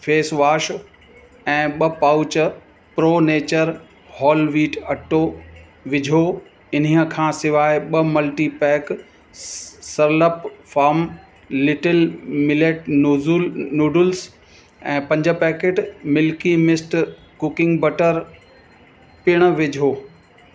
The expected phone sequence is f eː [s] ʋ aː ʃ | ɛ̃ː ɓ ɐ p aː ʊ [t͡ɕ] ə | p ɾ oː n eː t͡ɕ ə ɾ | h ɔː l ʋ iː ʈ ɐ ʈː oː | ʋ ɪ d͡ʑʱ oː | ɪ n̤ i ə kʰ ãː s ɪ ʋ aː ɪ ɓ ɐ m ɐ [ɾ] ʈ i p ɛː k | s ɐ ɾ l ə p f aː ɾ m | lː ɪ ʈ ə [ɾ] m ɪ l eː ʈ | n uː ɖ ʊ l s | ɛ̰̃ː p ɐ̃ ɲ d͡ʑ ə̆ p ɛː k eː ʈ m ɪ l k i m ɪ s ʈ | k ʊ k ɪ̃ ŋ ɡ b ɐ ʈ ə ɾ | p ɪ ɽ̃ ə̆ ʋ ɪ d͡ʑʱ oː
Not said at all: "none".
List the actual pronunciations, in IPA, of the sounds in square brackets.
s, t͡ɕ, l, l

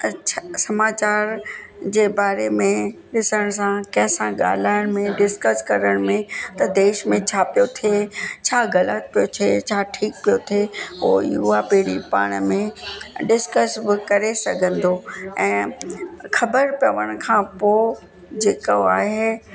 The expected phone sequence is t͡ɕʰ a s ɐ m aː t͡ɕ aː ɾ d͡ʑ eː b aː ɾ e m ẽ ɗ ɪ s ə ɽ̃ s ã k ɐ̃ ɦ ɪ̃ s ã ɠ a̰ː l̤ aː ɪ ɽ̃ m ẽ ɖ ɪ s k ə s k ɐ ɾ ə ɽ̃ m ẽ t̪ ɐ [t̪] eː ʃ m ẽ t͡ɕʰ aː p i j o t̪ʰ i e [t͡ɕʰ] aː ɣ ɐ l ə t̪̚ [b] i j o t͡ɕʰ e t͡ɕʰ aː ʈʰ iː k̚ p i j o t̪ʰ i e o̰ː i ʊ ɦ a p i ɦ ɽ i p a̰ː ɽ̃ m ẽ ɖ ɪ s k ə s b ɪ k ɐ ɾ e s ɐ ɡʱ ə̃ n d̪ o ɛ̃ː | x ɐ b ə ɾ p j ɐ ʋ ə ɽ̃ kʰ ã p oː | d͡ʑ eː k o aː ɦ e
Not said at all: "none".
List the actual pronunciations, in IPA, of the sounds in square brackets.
d̪, t͡ɕʰ, p

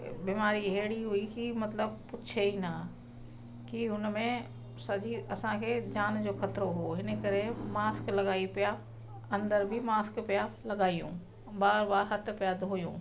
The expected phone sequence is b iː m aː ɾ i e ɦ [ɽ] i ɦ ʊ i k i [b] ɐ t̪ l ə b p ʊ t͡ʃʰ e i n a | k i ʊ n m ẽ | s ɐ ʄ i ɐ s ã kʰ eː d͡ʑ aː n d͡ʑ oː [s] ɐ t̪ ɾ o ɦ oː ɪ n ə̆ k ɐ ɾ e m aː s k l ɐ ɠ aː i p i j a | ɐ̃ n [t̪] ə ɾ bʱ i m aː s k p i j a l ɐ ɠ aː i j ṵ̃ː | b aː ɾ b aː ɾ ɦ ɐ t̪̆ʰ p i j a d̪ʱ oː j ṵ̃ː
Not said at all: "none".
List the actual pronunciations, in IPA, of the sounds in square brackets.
ɽ, m, x, d̪

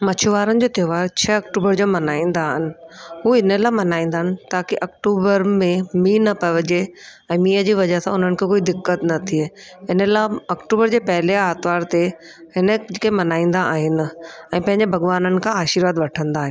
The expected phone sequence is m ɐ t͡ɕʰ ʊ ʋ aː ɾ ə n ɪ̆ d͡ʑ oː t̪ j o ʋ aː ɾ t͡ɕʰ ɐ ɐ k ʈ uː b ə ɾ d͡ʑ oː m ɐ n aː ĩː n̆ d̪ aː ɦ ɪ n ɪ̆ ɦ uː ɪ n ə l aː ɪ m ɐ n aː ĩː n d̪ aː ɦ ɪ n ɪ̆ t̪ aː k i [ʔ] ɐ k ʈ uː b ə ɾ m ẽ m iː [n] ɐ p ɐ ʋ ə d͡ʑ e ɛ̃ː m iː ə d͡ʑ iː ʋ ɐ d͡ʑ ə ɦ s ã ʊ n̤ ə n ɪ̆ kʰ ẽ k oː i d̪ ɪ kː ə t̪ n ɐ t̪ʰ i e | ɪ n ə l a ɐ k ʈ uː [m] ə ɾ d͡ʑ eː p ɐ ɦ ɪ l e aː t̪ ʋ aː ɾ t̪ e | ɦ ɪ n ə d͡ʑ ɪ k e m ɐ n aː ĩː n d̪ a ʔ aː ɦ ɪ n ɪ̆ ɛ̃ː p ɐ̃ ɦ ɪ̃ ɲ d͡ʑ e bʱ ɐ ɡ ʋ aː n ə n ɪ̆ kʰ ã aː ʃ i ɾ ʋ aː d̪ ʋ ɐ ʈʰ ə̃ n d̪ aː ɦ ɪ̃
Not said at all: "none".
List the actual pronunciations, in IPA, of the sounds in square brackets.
ʔ, n, b

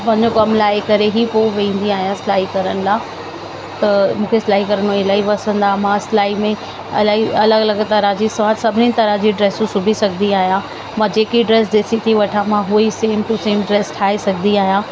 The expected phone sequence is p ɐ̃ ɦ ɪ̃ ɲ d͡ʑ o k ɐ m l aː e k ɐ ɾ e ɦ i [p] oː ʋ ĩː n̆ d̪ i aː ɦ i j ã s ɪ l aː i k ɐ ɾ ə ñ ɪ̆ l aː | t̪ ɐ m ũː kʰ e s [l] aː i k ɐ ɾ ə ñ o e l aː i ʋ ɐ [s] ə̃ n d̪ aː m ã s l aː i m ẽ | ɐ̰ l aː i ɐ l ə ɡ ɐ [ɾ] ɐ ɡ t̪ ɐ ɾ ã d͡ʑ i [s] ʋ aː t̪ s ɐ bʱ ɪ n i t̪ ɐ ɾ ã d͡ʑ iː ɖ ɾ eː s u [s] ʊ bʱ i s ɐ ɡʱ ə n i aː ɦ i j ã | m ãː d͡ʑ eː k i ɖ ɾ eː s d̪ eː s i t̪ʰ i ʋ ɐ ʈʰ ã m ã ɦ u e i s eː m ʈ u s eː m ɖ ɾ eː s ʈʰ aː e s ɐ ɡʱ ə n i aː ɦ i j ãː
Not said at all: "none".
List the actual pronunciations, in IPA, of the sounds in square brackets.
p, l, s, l, s, s

